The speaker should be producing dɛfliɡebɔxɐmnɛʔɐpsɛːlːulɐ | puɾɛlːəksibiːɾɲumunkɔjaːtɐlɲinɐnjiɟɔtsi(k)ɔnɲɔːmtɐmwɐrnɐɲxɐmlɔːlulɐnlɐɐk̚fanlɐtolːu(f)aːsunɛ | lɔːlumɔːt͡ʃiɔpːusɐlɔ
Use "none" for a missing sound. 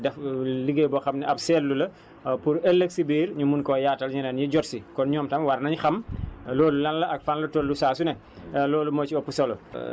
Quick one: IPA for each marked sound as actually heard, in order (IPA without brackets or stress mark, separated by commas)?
k, s